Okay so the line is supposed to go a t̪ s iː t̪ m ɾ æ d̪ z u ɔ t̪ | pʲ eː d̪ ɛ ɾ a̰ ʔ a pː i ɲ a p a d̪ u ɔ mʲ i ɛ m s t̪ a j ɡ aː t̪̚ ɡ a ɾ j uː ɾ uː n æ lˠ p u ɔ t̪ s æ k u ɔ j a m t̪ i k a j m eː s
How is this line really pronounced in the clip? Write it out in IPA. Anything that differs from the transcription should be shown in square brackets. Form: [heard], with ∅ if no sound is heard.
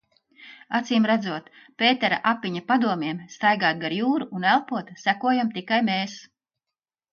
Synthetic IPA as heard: a t̪ s iː [∅] m ɾ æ d̪ z u ɔ t̪ | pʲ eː [t̪] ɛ ɾ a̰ ʔ a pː i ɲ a p a d̪ u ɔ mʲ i ɛ m s t̪ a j ɡ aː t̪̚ ɡ a ɾ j uː ɾ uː n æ lˠ p u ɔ t̪ s æ k u ɔ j a m t̪ i k a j m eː s